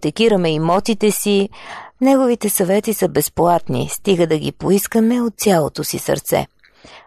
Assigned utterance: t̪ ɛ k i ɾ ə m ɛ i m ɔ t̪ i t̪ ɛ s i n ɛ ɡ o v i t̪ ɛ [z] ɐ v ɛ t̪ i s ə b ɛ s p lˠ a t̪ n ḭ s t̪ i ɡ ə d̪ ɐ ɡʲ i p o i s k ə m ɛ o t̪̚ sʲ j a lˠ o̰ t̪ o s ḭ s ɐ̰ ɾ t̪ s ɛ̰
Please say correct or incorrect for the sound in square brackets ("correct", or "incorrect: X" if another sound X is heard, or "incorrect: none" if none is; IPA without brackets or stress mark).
incorrect: s